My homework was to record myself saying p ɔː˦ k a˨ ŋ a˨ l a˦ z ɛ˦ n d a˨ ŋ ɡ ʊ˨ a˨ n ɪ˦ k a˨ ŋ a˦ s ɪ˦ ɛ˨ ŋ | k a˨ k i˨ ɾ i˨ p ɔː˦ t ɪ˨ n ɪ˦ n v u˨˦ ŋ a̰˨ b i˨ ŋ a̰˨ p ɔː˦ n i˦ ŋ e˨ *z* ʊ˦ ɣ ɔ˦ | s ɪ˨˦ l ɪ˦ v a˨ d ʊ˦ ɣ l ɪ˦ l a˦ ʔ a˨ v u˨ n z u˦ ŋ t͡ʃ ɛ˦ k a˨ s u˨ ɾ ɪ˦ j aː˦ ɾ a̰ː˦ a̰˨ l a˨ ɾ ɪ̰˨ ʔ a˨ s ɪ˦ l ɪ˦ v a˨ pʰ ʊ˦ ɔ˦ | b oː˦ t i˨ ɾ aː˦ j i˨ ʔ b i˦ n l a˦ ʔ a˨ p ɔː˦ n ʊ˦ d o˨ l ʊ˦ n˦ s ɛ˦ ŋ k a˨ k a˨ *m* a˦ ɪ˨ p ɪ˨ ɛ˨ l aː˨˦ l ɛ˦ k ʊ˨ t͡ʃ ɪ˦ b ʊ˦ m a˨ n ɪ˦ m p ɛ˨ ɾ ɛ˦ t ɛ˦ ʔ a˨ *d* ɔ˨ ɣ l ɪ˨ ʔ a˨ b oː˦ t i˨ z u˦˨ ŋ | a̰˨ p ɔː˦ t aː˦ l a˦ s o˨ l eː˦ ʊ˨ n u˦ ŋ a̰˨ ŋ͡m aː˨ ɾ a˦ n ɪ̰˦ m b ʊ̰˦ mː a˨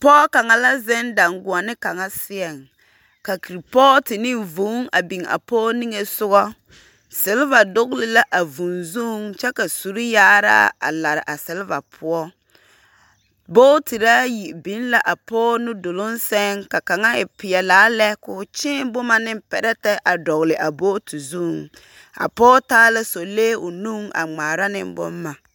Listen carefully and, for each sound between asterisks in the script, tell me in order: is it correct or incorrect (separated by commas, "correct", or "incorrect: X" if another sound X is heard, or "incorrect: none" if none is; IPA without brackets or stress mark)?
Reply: incorrect: s, incorrect: ŋ, correct